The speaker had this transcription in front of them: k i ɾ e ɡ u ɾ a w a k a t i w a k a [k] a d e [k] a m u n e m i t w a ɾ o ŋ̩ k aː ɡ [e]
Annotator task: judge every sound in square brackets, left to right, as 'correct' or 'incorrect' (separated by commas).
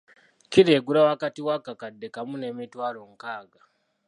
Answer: correct, correct, incorrect